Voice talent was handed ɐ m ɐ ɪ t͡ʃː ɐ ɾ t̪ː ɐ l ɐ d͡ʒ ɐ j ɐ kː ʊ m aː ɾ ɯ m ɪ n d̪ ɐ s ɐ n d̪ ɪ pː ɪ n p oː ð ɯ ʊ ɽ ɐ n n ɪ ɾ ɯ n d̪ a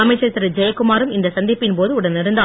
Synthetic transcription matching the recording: ɐ m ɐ ɪ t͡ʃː ɐ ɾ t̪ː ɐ ɾ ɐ d͡ʒ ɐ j ɐ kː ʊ m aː ɾ ɯ m ɪ n d̪ ɐ s ɐ n d̪ ɪ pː ɪ n p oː ð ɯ ʊ ɽ ɐ n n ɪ ɾ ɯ n d̪ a

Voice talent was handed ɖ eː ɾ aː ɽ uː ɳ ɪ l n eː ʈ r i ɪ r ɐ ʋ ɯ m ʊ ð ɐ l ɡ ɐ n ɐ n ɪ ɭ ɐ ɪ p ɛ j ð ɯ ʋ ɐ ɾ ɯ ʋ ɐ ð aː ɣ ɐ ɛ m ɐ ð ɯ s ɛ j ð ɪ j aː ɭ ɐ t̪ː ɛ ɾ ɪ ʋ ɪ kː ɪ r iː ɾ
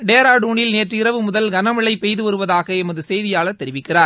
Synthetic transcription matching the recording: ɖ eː ɾ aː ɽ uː ɳ ɪ l n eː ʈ r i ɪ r ɐ ʋ ɯ m ʊ ð ɐ l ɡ ɐ n ɐ m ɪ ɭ ɐ ɪ p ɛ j ð ɯ ʋ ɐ ɾ ɯ ʋ ɐ ð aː ɣ ɐ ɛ m ɐ ð ɯ s ɛ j ð ɪ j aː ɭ ɐ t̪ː ɛ ɾ ɪ ʋ ɪ kː ɪ r aː ɾ

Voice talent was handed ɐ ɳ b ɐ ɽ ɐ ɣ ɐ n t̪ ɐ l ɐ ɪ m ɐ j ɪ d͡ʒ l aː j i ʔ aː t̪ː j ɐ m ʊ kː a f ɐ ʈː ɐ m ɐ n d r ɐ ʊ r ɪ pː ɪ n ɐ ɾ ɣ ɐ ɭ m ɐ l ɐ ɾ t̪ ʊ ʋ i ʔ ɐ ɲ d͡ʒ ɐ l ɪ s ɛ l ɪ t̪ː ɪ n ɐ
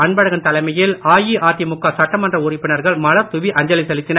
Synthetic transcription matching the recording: ɐ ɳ b ɐ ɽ ɐ ɣ ɐ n t̪ ɐ l ɐ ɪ m ɐ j ɪ l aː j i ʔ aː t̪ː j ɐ m ʊ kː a s ɐ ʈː ɐ m ɐ n d r ɐ ʊ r ɪ pː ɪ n ɐ ɾ ɣ ɐ ɭ m ɐ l ɐ ɾ t̪ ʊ ʋ i ʔ ɐ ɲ d͡ʒ ɐ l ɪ s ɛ l ɪ t̪ː ɪ n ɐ

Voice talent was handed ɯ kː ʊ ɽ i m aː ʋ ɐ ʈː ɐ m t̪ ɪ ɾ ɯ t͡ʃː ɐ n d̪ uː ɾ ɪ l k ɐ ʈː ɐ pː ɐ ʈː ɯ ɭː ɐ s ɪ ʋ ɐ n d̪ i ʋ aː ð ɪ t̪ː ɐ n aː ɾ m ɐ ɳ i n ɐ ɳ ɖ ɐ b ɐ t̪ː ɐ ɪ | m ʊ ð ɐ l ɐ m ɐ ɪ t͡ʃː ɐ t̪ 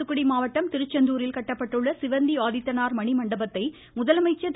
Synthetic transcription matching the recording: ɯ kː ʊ ɽ i m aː ʋ ɐ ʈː ɐ m t̪ ɪ ɾ ɯ t͡ʃː ɐ n d̪ uː ɾ ɪ l k ɐ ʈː ɐ pː ɐ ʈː ɯ ɭː ɐ s ɪ ʋ ɐ n d̪ i ʋ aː ð ɪ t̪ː ɐ n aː ɾ m ɐ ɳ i m ɐ ɳ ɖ ɐ b ɐ t̪ː ɐ ɪ | m ʊ ð ɐ l ɐ m ɐ ɪ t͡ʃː ɐ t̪

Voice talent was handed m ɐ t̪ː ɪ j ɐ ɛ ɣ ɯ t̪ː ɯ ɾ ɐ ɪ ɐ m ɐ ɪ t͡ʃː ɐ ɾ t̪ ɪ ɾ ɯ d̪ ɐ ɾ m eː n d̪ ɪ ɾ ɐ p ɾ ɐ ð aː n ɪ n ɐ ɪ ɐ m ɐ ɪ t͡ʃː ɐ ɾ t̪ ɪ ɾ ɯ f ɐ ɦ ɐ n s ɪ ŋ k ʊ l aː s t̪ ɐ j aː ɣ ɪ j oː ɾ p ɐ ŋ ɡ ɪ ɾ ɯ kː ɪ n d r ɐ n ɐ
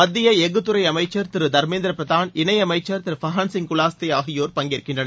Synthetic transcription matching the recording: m ɐ d̪ː ɪ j ɐ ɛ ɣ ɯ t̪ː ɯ ɾ ɐ ɪ ɐ m ɐ ɪ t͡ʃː ɐ ɾ t̪ ɪ ɾ ɯ d̪ ɐ ɾ m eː n d̪ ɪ ɾ ɐ p ɾ ɐ ð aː n ɪ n ɐ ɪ ɐ m ɐ ɪ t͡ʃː ɐ ɾ t̪ ɪ ɾ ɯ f ɐ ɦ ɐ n s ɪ ŋ k ʊ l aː s t̪ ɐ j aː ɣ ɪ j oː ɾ p ɐ ŋ ɡ ɪ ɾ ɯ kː ɪ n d r ɐ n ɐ

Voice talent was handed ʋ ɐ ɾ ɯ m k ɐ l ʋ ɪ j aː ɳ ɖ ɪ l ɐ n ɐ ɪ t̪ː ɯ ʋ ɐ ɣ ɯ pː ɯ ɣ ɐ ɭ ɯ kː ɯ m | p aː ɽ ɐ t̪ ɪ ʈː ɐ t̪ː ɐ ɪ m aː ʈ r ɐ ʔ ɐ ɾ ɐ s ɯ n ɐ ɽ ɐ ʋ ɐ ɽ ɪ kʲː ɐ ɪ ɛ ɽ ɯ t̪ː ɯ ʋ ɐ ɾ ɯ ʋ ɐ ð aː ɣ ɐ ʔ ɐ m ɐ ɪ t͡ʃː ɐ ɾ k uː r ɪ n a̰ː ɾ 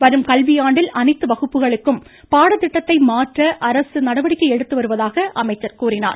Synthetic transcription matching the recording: ʋ ɐ ɾ ɯ m k ɐ l ʋ ɪ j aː ɳ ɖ ɪ l ɐ n ɐ ɪ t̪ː ɯ ʋ ɐ ɣ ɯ pː ɯ ɣ ɐ ɭ ɯ kː ɯ m | p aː ɽ ɐ t̪ ɪ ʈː ɐ t̪ː ɐ ɪ m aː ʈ r ɐ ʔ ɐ ɾ ɐ s ɯ n ɐ ɽ ɐ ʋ ɐ ɽ ɪ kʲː ɐ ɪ ɛ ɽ ɯ t̪ː ɯ ʋ ɐ ɾ ɯ ʋ ɐ ð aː ɣ ɐ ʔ ɐ m ɐ ɪ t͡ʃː ɐ ɾ k uː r ɪ n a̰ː ɾ

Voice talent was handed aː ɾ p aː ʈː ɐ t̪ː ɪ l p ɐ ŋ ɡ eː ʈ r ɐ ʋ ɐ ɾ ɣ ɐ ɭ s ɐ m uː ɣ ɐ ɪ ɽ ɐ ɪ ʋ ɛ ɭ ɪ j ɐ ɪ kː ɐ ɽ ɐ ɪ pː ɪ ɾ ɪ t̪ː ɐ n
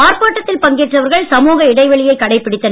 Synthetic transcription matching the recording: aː ɾ p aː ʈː ɐ t̪ː ɪ l p ɐ ŋ ɡ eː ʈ r ɐ ʋ ɐ ɾ ɣ ɐ ɭ s ɐ m uː ɣ ɐ ɪ ɽ ɐ ɪ ʋ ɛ ɭ ɪ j ɐ ɪ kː ɐ ɽ ɐ ɪ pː ɪ ɽ ɪ t̪ː ɐ n

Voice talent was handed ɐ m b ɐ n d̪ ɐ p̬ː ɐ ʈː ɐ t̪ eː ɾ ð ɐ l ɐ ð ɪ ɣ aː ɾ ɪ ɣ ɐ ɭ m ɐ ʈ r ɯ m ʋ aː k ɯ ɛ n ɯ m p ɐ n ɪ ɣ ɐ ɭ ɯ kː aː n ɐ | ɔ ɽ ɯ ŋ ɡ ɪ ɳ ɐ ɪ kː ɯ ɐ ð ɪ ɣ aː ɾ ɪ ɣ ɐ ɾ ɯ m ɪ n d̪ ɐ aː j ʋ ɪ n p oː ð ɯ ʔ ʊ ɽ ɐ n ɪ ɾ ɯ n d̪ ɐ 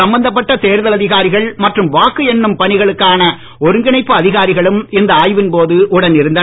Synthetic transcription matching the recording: ɐ m b ɐ n d̪ ɐ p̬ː ɐ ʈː ɐ t̪ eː ɾ ð ɐ l ɐ ð ɪ ɣ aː ɾ ɪ ɣ ɐ ɭ m ɐ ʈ r ɯ m ʋ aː k ɯ ɛ nː ɯ m p ɐ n ɪ ɣ ɐ ɭ ɯ kː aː n ɐ | ɔ ɾ ɯ ŋ ɡ ɪ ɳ ɐ ɪ pː ɯ ɐ ð ɪ ɣ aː ɾ ɪ ɣ ɐ ɭ ɯ m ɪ n d̪ ɐ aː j ʋ ɪ n p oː ð ɯ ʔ ʊ ɽ ɐ n ɪ ɾ ɯ n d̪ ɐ

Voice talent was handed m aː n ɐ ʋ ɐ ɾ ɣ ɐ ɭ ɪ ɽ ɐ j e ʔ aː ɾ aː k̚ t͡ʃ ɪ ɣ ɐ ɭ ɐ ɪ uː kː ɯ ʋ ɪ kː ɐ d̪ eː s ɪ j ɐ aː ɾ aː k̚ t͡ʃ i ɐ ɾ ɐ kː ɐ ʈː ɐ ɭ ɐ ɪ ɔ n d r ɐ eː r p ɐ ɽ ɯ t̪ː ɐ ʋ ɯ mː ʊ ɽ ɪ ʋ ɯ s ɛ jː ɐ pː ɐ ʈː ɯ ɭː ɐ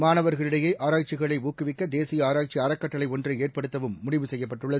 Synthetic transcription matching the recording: m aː n ɐ ʋ ɐ ɾ ɣ ɐ ɭ ɪ ɽ ɐ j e ʔ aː ɾ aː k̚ t͡ʃ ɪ ɣ ɐ ɭ ɐ ɪ uː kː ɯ ʋ ɪ kː ɐ d̪ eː s ɪ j ɐ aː ɾ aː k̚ t͡ʃ i ɐ ɾ ɐ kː ɐ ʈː ɐ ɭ ɐ ɪ ɔ n d r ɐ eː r p ɐ ɽ ɯ t̪ː ɐ ʋ ɯ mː ʊ ɽ ɪ ʋ ɯ s ɛ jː ɐ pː ɐ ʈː ɯ ɭː ɐ

